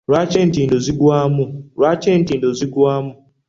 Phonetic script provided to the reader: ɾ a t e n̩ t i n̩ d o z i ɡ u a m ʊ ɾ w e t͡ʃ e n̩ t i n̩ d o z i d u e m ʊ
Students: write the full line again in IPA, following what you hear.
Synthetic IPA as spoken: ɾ a t͡ʃ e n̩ t i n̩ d o z i ɡ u a m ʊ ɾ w a t͡ʃ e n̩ t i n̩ d o z i ɡ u a m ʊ